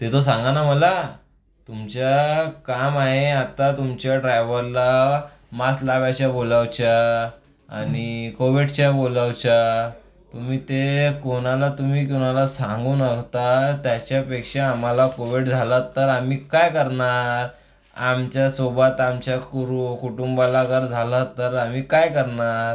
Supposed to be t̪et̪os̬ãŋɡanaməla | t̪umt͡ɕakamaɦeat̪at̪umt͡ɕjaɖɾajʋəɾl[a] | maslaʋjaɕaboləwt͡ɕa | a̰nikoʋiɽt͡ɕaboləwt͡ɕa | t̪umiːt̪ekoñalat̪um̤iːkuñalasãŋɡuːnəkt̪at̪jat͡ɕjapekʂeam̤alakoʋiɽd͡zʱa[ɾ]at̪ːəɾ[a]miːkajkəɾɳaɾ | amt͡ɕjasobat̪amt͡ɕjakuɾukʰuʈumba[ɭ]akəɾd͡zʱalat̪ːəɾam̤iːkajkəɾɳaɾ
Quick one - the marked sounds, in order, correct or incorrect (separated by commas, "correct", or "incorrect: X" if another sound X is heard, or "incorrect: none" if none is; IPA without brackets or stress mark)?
correct, incorrect: l, correct, incorrect: l